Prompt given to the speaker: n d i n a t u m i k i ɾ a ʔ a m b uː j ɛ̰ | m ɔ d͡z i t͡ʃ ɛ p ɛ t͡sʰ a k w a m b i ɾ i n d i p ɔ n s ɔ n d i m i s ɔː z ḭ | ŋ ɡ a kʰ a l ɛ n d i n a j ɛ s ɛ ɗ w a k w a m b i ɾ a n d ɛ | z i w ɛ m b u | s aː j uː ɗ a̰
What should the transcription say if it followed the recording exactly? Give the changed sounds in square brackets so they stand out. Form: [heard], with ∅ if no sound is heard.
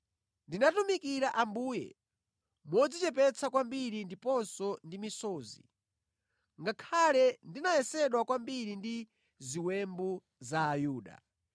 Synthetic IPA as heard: n d i n a t u m i k i ɾ a ʔ a m b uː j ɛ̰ | m ɔ d͡z i t͡ʃ ɛ p ɛ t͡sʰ a k w a m b i ɾ i n d i p ɔ n s ɔ n d i m i s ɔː z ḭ | ŋ ɡ a kʰ a l ɛ n d i n a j ɛ s ɛ ɗ w a k w a m b i ɾ [i] n d [i] | z i w ɛ m b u | [z] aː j uː ɗ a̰

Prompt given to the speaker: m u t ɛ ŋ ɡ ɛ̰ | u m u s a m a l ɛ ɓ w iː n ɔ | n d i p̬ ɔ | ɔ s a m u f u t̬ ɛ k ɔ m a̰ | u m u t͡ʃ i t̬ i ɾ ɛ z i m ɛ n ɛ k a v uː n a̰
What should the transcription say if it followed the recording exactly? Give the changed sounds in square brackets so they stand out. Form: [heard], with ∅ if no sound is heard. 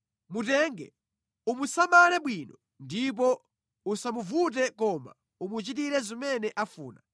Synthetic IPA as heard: m u t ɛ ŋ ɡ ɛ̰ | u m u s a m a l ɛ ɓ w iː n ɔ | n d i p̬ ɔ | [u] s a m u [v] u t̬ ɛ k ɔ m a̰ | u m u t͡ʃ i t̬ i ɾ ɛ z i m ɛ n ɛ [ʔ] a [f] uː n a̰

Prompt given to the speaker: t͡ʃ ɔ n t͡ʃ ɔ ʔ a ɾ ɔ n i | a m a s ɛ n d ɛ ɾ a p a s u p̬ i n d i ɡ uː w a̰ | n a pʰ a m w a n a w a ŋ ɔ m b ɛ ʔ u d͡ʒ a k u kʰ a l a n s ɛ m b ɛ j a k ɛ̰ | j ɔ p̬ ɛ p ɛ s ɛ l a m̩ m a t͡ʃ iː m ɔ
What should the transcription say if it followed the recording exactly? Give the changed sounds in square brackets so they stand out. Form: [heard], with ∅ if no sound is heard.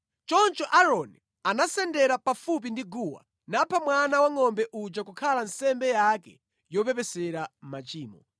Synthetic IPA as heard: t͡ʃ ɔ n t͡ʃ ɔ ʔ a ɾ ɔ n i | a [n] a s ɛ n d ɛ ɾ a p a [f] u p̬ i n d i ɡ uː w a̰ | n a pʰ a m w a n a w a ŋ ɔ m b ɛ ʔ u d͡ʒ a k u kʰ a l a n s ɛ m b ɛ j a k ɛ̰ | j ɔ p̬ ɛ p ɛ s ɛ [ɾ] a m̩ m a t͡ʃ iː m ɔ

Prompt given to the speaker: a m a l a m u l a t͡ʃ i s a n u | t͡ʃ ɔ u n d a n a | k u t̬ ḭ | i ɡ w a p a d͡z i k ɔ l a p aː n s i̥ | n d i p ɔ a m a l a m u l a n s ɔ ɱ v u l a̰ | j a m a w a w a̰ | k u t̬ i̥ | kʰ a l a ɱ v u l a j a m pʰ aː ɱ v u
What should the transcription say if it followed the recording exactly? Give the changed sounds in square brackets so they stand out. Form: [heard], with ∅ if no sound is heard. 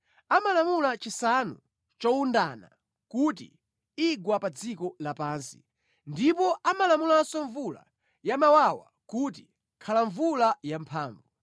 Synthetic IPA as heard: a m a l a m u l a t͡ʃ i s a n u | t͡ʃ ɔ u n d a n a | k u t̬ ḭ | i ɡ w a p a d͡z i k ɔ l a p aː n s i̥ | n d i p ɔ a m a l a m u l a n s ɔ ɱ v u l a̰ | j a m a w a w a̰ | k u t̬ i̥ | kʰ a l a ɱ v u l a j a m pʰ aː ɱ v u

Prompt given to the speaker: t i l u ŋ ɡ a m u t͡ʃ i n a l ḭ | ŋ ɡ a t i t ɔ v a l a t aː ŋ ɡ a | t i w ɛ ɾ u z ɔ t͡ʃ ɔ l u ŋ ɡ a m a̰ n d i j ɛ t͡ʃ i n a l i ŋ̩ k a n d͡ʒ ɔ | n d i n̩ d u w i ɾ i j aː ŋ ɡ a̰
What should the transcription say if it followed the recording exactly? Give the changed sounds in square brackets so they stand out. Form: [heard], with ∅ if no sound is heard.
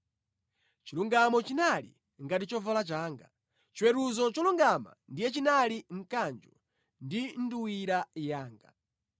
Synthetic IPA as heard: [t͡ʃ] i l u ŋ ɡ a m [ɔ] t͡ʃ i n a l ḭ | ŋ ɡ a t i [t͡ʃ] ɔ v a l a [t͡ʃ] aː ŋ ɡ a | [t͡ʃ] i w ɛ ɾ u z ɔ t͡ʃ ɔ l u ŋ ɡ a m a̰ n d i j ɛ t͡ʃ i n a l i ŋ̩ k a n d͡ʒ ɔ | n d i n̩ d u w i ɾ [a] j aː ŋ ɡ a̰

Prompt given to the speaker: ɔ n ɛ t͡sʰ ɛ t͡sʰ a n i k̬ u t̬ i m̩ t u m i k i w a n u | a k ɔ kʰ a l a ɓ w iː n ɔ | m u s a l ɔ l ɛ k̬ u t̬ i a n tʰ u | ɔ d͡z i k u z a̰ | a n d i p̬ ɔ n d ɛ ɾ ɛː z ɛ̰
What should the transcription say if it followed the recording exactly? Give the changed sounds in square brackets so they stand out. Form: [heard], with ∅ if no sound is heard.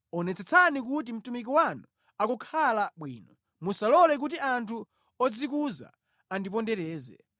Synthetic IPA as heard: ɔ n ɛ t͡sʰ ɛ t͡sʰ a n i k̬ u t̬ i m̩ t u m i k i w a n u | a k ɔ kʰ a l a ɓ w iː n ɔ | m u s a l ɔ l ɛ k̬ u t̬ i a n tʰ u | ɔ d͡z i k u z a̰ | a n d i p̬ ɔ n d ɛ ɾ ɛː z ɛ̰

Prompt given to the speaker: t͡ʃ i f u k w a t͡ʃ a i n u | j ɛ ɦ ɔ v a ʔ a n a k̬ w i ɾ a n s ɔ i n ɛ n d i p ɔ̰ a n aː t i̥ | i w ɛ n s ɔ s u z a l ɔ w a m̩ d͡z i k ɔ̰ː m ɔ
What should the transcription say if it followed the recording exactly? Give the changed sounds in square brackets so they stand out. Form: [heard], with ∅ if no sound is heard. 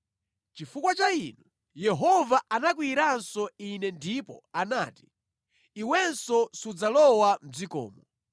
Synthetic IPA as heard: t͡ʃ i f u k w a t͡ʃ a i n u | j ɛ ɦ ɔ v a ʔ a n a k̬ w i ɾ a n s ɔ i n ɛ n d i p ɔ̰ a n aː t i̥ | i w ɛ n s ɔ s u [d͡z] a l ɔ w a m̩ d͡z i k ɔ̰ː m ɔ

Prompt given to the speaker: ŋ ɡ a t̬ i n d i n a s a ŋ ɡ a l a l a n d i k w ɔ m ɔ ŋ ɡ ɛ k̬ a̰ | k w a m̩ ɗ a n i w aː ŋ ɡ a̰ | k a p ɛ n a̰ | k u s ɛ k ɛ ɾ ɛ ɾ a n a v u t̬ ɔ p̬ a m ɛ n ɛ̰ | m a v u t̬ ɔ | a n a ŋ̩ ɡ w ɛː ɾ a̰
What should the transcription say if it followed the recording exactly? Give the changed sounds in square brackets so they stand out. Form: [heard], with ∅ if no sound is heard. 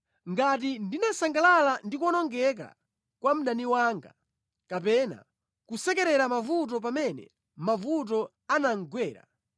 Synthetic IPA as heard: ŋ ɡ a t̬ i n d i n a s a ŋ ɡ a l a l a n d i k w ɔ [n] ɔ ŋ ɡ ɛ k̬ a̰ | k w a m̩ ɗ a n i w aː ŋ ɡ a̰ | k a p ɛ n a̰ | k u s ɛ k ɛ ɾ ɛ ɾ a [m] a v u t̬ ɔ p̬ a m ɛ n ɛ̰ | m a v u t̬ ɔ | a n a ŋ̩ ɡ w ɛː ɾ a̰

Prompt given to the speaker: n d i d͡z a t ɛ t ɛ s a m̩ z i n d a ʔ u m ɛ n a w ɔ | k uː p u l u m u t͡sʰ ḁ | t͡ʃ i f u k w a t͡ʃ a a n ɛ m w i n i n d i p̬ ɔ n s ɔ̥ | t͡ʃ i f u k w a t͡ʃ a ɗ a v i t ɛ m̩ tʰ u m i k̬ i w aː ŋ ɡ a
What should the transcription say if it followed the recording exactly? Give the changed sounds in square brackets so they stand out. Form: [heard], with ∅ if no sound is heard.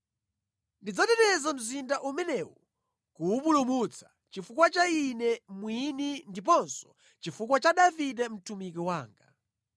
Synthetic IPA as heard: n d i d͡z a t ɛ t ɛ [z] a m̩ z i n d a ʔ u m ɛ n [ɛ] w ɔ | k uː p u l u m u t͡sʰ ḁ | t͡ʃ i f u k w a t͡ʃ a [i] n ɛ m w i n i n d i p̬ ɔ n s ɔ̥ | t͡ʃ i f u k w a t͡ʃ a ɗ a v i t ɛ m̩ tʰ u m i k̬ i w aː ŋ ɡ a

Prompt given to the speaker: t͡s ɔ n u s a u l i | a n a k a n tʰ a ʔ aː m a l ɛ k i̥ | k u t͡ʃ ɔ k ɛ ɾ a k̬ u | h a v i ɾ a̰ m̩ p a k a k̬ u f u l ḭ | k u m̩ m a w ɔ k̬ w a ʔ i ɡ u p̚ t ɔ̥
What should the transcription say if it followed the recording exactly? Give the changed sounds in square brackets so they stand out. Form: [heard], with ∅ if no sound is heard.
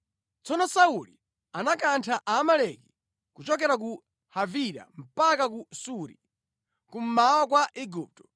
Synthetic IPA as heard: t͡s ɔ n [ɔ] s a u l i | a n a k a n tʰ a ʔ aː m a l ɛ k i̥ | k u t͡ʃ ɔ k ɛ ɾ a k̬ u | h a v i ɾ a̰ m̩ p a k a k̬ u [s] u [ɾ] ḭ | k u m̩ m a w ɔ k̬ w a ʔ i ɡ u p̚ t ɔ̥

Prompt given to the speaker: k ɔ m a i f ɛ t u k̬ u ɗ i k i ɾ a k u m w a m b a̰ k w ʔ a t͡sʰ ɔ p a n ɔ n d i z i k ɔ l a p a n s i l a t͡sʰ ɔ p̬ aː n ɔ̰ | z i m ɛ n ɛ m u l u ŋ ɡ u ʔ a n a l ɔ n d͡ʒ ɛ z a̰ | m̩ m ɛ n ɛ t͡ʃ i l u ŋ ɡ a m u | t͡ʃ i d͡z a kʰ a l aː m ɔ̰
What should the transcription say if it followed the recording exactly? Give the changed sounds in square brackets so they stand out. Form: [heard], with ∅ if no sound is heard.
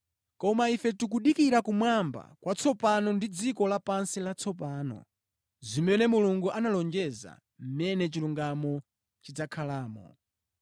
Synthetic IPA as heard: k ɔ m a i f ɛ t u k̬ u ɗ i k i ɾ a k u m w a m b a̰ k w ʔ a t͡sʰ ɔ p a n ɔ n d i [d͡z] i k ɔ l a p a n s i l a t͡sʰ ɔ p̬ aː n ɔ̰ | z i m ɛ n ɛ m u l u ŋ ɡ u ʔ a n a l ɔ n d͡ʒ ɛ z a̰ | m̩ m ɛ n ɛ t͡ʃ i l u ŋ ɡ a m [ɔ] | t͡ʃ i d͡z a kʰ a l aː m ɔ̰

